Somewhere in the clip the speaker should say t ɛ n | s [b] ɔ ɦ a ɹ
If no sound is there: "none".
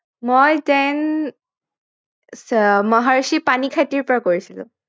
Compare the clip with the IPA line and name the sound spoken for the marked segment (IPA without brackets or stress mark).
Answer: m